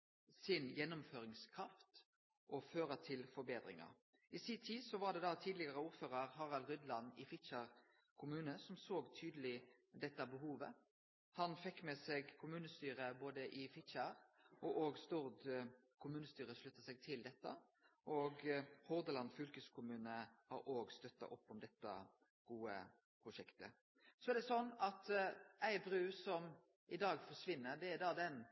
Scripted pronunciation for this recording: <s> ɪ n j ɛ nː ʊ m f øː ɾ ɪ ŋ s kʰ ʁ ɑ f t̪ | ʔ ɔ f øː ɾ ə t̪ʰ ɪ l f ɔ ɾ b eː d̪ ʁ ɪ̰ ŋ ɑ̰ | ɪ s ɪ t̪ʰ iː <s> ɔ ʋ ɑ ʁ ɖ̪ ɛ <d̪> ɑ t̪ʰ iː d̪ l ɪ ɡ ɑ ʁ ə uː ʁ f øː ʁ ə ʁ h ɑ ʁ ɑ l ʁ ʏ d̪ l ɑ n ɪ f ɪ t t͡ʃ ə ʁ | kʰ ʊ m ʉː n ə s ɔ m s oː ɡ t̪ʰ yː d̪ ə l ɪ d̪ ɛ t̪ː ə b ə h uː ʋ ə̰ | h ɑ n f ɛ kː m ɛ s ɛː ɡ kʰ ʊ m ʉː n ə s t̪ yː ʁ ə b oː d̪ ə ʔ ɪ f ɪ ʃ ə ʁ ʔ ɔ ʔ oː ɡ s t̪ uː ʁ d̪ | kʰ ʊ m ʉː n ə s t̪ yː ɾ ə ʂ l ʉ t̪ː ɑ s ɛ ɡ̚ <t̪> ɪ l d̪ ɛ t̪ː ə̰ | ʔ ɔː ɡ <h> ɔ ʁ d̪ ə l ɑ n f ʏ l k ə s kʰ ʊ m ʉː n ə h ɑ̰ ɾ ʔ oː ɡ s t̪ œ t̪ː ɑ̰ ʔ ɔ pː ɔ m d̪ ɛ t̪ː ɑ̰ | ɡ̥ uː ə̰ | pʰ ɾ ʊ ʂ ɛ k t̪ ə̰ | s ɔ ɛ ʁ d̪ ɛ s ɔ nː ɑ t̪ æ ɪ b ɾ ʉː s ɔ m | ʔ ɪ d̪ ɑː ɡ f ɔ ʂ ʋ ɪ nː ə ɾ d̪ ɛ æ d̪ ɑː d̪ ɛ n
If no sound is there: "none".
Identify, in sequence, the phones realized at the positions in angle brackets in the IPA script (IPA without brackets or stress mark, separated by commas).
s, s, d̪, t̪ʰ, h